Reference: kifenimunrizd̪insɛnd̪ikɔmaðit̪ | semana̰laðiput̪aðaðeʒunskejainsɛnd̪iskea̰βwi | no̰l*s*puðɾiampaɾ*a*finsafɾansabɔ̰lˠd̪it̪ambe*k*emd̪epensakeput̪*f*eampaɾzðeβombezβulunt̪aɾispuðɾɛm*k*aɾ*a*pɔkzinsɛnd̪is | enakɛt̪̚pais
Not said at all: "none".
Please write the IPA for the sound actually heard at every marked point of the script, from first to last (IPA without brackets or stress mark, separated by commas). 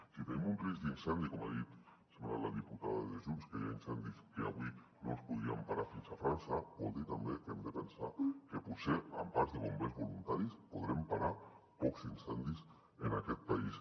s, a, k, s, p, a